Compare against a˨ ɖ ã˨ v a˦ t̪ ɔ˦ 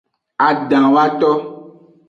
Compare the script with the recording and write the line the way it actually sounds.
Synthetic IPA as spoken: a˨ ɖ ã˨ w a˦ t̪ ɔ˦